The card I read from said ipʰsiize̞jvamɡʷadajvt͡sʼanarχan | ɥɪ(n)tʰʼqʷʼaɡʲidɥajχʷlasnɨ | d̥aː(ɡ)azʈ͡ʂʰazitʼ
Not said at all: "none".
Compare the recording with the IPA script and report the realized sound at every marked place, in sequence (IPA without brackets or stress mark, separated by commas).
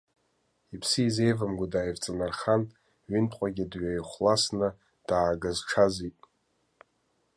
n, ɡ